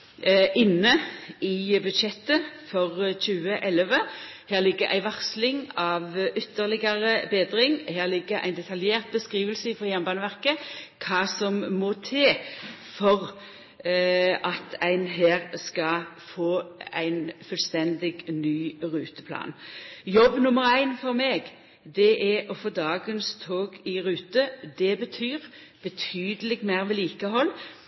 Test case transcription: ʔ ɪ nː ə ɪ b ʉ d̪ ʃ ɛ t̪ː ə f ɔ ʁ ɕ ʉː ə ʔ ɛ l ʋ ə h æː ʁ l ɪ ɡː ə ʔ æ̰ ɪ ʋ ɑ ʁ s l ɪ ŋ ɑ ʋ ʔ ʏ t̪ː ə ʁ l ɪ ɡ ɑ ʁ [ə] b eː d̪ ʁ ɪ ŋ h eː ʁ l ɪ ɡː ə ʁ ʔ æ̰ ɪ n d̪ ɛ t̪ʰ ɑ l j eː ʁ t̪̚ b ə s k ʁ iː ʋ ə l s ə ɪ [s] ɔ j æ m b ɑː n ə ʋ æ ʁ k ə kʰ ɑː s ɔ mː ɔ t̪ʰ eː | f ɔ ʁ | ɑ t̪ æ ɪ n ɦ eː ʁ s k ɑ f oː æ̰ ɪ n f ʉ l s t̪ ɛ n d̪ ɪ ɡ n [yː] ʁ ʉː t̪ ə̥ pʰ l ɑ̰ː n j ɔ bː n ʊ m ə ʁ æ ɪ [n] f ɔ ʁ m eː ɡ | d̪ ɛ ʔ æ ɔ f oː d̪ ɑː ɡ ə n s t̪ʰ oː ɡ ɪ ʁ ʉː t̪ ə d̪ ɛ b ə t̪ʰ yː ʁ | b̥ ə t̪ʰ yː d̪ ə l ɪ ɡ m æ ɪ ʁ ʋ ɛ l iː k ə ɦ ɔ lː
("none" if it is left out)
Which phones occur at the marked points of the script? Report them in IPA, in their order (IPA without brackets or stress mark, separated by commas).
ə, f, yː, n